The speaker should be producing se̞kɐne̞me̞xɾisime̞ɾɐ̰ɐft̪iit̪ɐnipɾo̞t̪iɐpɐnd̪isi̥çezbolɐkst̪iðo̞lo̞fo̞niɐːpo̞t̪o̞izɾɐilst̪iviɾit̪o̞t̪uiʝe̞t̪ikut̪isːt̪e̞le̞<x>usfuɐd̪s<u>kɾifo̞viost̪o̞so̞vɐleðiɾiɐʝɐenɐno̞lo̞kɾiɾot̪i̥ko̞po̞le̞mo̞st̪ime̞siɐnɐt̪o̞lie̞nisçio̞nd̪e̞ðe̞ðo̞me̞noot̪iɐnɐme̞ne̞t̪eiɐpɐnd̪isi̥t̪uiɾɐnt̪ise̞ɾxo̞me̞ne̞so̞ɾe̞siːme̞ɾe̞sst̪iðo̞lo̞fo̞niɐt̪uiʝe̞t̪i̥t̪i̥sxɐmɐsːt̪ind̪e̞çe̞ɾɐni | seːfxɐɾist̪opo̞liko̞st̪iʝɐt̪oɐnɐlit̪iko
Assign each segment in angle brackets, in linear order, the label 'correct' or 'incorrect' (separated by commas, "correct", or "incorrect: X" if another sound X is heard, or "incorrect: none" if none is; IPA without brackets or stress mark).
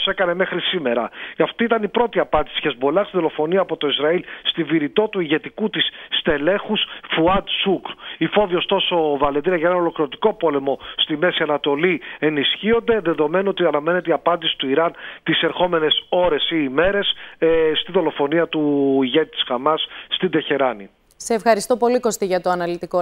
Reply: correct, correct